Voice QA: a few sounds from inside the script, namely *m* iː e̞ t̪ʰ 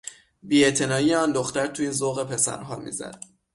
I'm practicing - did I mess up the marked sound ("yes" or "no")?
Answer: yes